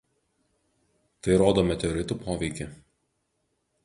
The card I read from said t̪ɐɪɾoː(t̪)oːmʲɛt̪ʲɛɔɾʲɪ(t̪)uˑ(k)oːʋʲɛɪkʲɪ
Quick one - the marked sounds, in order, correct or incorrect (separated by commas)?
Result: incorrect, correct, incorrect